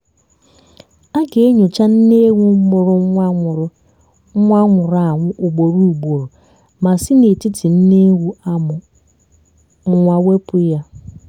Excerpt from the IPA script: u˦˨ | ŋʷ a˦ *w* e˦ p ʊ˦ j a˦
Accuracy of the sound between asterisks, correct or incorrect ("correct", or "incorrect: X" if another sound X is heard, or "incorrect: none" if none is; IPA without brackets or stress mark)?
correct